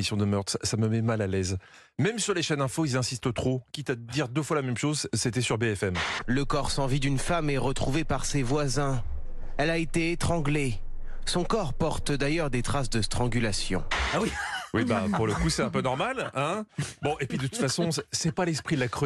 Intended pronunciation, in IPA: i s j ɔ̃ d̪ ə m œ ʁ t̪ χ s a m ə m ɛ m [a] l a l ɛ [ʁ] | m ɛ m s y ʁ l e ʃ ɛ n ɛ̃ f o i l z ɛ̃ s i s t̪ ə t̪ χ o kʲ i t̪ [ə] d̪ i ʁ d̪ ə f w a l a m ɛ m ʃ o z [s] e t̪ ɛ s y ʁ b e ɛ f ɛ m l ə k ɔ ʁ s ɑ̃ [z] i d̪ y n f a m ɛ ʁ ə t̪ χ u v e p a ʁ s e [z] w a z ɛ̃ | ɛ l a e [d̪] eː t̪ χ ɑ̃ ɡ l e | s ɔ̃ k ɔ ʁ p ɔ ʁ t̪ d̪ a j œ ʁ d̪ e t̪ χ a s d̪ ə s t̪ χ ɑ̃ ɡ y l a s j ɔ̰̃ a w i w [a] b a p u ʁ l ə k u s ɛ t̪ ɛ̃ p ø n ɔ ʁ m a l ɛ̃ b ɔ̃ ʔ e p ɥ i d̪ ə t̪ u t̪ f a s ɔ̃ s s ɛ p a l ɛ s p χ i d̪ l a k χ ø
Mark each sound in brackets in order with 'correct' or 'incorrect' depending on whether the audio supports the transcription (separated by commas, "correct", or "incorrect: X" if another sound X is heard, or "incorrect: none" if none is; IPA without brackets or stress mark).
correct, incorrect: z, incorrect: a, correct, incorrect: v, incorrect: v, incorrect: t̪, incorrect: i